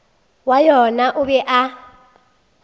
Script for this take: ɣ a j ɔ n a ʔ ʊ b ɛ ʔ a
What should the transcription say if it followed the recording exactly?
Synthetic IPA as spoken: w a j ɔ n a ʔ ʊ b ɛ ʔ a